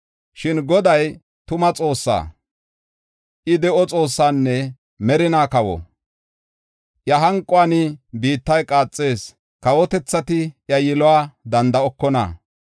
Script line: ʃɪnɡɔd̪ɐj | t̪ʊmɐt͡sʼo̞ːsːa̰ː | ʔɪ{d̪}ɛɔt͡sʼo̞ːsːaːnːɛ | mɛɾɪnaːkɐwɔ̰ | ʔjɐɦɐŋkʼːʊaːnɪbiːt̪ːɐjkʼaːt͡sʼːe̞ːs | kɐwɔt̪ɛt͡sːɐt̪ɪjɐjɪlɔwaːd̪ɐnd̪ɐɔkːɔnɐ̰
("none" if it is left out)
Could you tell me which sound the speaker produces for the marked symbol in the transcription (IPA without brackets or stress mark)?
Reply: d̪